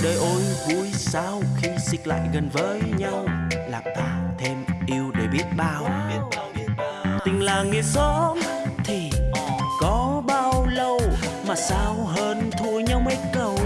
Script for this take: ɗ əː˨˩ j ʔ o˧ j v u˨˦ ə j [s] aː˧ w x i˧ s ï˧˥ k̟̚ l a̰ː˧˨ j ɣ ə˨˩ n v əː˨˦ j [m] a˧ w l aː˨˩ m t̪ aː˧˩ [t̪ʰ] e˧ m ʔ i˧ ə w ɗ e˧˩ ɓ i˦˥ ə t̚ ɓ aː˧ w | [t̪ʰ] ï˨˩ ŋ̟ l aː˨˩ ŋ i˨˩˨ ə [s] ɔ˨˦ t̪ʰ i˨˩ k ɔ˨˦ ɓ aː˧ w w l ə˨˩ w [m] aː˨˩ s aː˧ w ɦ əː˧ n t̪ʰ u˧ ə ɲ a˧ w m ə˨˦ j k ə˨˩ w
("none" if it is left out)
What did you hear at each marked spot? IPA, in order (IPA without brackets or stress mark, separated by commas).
s, ɲ, t̪ʰ, t̪, s, m